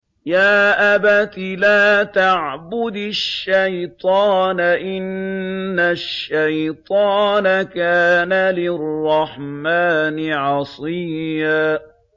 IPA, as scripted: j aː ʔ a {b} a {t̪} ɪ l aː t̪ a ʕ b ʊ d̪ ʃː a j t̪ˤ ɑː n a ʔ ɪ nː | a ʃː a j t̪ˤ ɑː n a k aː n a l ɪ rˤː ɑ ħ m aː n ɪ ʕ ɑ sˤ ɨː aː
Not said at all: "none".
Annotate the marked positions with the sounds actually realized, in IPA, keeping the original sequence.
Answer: b, t̪

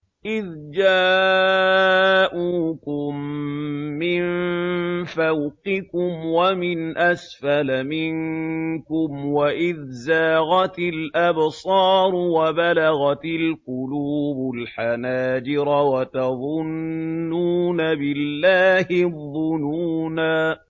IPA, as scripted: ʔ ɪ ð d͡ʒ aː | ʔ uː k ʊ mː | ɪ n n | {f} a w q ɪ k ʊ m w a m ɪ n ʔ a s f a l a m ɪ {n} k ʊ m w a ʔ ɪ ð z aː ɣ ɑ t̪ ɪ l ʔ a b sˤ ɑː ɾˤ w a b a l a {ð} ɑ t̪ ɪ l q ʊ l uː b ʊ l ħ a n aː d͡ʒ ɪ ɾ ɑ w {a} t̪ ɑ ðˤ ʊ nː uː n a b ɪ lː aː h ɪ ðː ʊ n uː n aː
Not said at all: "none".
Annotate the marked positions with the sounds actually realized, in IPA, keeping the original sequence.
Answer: f, ŋ, ɣ, a

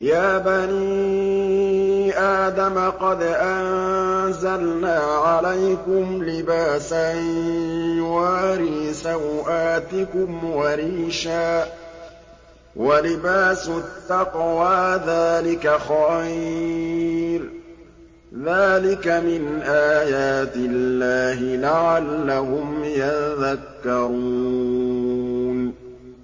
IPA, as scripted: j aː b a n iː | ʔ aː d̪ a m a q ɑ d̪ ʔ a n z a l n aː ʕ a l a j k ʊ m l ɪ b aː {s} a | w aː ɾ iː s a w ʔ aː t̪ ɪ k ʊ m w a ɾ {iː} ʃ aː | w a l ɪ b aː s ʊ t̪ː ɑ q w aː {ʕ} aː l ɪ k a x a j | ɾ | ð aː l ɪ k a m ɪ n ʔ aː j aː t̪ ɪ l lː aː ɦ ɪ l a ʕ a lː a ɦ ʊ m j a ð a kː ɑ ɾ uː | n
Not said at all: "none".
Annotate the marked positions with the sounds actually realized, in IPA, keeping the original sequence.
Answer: s, iː, ð

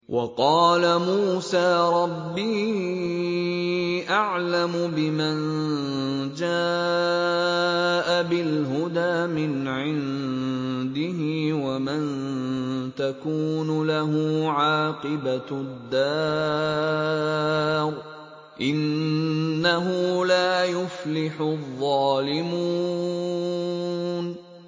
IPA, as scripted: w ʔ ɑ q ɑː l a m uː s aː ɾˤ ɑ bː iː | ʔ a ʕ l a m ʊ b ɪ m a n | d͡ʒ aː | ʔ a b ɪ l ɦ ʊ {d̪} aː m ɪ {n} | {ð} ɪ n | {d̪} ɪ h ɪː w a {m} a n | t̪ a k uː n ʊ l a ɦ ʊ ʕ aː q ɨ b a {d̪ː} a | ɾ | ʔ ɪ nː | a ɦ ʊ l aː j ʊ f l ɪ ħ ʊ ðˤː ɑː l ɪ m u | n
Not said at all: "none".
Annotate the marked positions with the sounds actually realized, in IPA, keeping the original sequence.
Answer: d̪, n, ʕ, d̪, m, d̪ː

